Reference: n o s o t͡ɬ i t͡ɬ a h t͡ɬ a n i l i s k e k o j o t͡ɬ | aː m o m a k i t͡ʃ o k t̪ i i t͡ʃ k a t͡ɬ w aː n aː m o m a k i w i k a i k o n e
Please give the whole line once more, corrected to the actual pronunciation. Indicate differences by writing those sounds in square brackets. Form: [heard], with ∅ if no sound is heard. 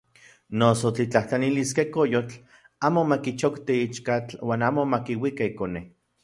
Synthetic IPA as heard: n o s o t͡ɬ i t͡ɬ a h t͡ɬ a n i l i s k e k o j o t͡ɬ | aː m o m a k i t͡ʃ o k t̪ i i t͡ʃ k a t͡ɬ w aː n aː m o m a k i w i k a i k o n e

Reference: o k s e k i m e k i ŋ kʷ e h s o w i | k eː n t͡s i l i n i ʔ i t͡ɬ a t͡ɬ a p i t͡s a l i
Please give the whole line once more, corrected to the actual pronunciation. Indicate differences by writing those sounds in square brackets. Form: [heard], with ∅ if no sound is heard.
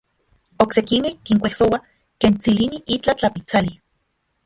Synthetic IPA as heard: o k s e k i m e k i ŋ kʷ e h s o w [a] | k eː n t͡s i l i n i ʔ i t͡ɬ a t͡ɬ a p i t͡s a l i

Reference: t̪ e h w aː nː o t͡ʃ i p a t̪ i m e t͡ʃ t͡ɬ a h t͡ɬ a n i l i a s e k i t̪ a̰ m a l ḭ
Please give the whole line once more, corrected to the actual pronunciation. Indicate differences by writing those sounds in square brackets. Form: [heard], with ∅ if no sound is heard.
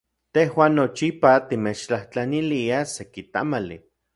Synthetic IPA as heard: t̪ e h w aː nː o t͡ʃ i p a t̪ i m e t͡ʃ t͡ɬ a h t͡ɬ a n i l i a s e k i t̪ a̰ m a l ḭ

